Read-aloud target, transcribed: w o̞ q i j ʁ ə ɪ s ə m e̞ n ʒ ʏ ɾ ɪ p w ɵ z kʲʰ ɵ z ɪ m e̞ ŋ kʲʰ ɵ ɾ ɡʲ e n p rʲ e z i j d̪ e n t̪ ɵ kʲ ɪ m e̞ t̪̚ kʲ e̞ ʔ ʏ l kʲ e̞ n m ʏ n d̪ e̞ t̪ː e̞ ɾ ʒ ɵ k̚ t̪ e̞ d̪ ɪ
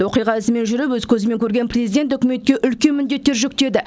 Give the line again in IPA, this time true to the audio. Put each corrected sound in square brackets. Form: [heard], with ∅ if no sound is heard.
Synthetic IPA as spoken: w o̞ q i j ʁ [ɑ] ɪ s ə m e̞ n ʒ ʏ ɾ ɪ p w ɵ z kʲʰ ɵ z ɪ m e̞ ŋ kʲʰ ɵ ɾ ɡʲ e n p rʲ e z i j d̪ e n t̪ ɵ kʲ ɪ m e̞ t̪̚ kʲ e̞ ʔ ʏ l kʲ e̞ n m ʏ n d̪ e̞ t̪ː e̞ ɾ ʒ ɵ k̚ t̪ e̞ d̪ ɪ